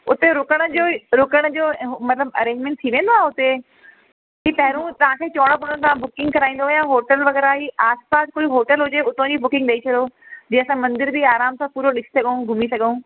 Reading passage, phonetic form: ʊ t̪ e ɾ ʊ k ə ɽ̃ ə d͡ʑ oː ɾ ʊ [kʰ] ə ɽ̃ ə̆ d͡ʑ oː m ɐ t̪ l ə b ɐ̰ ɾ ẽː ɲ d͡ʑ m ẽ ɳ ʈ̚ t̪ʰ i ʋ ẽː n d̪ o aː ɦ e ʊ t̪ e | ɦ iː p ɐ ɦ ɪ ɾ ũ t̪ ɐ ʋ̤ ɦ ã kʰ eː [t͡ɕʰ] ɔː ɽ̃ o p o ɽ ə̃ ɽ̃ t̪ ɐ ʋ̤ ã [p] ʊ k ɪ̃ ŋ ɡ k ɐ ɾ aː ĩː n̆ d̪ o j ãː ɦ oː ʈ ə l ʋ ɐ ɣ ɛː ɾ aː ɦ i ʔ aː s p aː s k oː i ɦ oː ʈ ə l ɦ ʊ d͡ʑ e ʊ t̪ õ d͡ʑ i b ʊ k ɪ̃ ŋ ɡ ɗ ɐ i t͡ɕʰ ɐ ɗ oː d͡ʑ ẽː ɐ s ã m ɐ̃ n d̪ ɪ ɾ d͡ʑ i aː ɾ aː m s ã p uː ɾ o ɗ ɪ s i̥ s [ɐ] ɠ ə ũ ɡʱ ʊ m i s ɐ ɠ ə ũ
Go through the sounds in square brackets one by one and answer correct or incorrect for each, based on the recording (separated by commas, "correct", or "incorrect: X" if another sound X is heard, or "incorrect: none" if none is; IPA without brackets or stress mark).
incorrect: k, incorrect: t͡ɕ, incorrect: b, correct